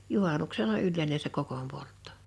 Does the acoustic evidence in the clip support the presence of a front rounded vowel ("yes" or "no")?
yes